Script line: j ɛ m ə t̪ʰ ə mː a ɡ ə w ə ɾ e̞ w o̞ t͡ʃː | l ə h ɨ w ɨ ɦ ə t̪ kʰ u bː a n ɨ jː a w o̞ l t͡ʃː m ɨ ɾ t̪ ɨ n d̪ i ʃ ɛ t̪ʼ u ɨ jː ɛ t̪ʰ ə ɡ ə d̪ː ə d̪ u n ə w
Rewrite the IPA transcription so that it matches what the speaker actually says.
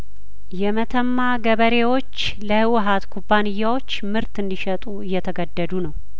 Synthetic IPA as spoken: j ɛ m ə t̪ʰ ə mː a ɡ ə β ə ɾ e̞ w o̞ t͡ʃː | l ə h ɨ w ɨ ɦ a t̪ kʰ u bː a n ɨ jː a w o̞ t͡ʃː m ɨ ɾ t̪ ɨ n d̪ i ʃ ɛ t̪ʼ u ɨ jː ɛ t̪ʰ ə ɡ ə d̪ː ə d̪ u n ə w